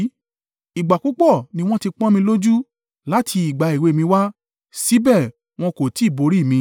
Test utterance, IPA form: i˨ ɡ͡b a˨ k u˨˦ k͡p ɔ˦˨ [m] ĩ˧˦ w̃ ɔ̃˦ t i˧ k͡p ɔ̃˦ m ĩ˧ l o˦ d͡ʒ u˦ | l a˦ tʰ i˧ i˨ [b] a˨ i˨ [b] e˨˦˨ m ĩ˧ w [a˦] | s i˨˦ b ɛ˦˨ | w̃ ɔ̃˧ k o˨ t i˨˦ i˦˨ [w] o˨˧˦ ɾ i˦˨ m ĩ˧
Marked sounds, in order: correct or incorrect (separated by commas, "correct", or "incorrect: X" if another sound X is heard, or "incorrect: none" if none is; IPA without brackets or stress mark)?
incorrect: n, incorrect: ɡ͡b, incorrect: w, correct, incorrect: b